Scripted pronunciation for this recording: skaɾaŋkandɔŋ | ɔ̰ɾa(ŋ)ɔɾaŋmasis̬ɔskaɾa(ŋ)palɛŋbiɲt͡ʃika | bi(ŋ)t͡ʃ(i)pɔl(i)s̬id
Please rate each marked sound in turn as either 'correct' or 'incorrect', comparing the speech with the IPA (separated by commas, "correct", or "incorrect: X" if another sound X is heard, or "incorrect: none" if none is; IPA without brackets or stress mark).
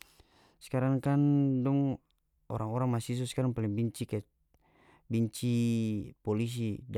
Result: correct, correct, incorrect: ɲ, correct, correct